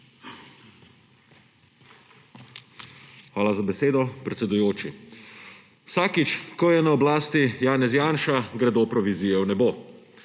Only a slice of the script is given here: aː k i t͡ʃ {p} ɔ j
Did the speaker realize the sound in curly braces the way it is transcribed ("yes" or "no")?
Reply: no